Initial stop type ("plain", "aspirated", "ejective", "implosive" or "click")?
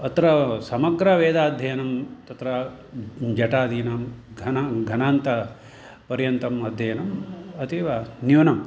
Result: plain